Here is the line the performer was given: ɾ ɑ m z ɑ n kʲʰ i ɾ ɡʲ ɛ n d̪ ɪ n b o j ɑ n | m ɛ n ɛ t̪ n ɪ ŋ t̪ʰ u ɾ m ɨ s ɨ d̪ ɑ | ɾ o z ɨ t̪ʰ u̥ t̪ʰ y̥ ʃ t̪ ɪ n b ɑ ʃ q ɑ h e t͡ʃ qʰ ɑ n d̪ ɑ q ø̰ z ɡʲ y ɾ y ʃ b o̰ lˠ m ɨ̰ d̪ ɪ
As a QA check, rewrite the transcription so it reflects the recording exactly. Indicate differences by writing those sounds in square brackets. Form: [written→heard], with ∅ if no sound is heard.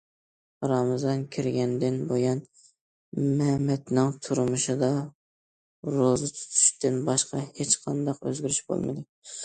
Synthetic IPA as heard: ɾ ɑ m z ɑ n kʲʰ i ɾ ɡʲ ɛ n d̪ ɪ n b o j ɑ n | m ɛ [n→m] ɛ t̪ n ɪ ŋ t̪ʰ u ɾ m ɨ [s→ʃ] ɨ d̪ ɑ | ɾ o z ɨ t̪ʰ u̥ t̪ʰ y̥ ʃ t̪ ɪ n b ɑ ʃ q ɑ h e t͡ʃ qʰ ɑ n d̪ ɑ q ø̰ z ɡʲ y ɾ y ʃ b o̰ lˠ m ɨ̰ d̪ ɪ